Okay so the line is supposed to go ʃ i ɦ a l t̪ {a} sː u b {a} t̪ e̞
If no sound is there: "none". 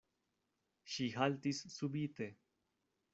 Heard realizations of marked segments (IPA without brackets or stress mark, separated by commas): i, i